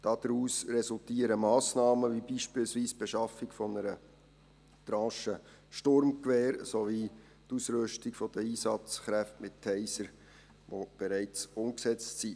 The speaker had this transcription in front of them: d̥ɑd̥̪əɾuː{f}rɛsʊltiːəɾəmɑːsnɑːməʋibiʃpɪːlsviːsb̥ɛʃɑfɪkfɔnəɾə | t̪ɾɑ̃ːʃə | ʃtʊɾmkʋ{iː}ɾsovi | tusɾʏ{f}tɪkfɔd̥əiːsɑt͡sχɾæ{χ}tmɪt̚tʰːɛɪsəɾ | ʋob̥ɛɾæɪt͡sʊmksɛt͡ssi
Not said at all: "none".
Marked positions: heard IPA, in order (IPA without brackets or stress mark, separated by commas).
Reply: s, ɛː, ʃ, f